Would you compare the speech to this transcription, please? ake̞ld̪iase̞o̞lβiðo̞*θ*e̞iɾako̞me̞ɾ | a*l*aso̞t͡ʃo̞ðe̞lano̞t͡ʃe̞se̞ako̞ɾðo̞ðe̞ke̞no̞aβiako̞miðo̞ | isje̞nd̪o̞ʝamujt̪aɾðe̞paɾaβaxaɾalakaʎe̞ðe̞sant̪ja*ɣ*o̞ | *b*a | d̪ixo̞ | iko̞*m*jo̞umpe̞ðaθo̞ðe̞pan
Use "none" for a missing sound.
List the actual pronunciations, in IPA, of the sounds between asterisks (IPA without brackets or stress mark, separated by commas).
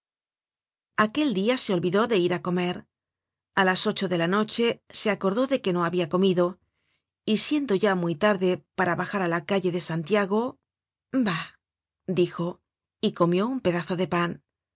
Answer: ð, l, ɣ, b, m